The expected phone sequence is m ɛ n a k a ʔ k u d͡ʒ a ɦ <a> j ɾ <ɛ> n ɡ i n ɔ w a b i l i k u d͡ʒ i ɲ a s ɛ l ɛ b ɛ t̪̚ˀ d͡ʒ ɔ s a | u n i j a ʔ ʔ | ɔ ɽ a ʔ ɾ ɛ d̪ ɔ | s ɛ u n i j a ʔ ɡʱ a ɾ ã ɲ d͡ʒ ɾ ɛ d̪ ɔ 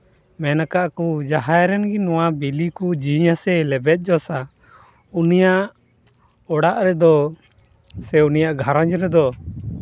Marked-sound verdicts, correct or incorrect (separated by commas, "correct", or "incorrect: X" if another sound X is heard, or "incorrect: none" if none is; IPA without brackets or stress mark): correct, correct